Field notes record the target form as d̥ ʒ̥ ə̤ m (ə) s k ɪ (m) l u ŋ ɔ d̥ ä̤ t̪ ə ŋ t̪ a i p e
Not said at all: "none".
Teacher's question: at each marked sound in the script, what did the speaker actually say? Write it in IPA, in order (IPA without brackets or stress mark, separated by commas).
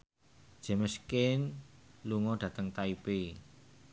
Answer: ə, n